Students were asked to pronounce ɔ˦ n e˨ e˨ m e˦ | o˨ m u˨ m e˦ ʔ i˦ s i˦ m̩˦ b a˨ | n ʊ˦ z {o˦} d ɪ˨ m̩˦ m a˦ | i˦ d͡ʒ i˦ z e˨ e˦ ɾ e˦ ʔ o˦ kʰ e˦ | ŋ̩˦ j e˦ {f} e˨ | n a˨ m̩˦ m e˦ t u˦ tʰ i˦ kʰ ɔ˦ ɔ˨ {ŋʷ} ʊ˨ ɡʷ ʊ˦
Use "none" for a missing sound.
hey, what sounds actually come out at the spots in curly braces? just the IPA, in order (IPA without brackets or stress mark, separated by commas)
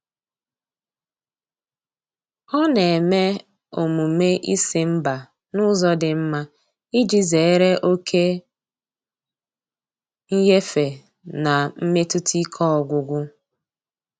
ɔ˦, f, ɡʷ